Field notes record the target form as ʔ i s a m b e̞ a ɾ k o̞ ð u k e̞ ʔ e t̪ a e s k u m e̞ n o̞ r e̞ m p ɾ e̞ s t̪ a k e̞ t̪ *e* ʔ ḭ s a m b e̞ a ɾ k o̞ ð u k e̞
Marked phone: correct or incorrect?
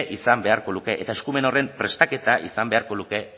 incorrect: a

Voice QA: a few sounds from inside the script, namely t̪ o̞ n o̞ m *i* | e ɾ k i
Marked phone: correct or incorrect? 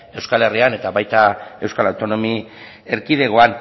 correct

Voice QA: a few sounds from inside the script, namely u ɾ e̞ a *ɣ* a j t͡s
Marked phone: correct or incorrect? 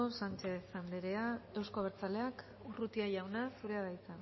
incorrect: ð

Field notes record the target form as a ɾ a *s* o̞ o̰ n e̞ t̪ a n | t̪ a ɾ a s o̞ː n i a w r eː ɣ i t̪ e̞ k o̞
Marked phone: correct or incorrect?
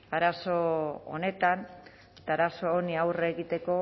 correct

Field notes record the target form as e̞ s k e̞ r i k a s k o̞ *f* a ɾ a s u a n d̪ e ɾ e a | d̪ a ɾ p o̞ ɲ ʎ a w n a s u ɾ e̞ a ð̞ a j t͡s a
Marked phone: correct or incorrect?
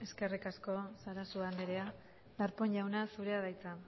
incorrect: s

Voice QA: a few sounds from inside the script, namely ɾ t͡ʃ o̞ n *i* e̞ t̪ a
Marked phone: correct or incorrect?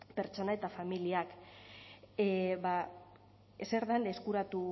incorrect: a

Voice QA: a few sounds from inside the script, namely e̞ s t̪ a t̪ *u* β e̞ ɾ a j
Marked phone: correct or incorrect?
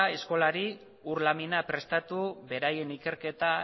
correct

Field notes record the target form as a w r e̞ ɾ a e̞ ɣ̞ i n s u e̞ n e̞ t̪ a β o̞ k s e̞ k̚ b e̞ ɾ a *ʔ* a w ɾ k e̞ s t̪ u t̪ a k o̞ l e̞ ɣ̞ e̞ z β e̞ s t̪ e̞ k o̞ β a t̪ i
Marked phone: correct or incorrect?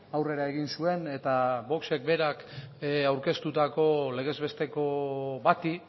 incorrect: k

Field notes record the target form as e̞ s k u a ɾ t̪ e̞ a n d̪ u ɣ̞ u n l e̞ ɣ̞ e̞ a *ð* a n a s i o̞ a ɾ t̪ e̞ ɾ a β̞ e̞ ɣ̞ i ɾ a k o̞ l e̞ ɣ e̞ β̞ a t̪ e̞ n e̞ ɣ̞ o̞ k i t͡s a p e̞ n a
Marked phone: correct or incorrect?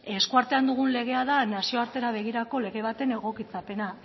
correct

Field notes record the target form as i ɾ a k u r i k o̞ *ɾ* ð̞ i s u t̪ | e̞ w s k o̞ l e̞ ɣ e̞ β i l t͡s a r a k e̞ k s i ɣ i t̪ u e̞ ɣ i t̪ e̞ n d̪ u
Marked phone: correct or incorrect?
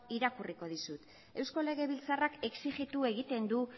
incorrect: none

